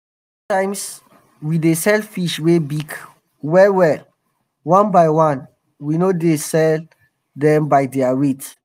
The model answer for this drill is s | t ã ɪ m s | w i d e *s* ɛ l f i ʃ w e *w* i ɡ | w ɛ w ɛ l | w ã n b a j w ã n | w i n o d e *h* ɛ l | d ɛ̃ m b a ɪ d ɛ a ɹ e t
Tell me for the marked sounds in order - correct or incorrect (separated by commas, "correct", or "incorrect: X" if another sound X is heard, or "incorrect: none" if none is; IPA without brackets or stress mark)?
correct, incorrect: b, incorrect: s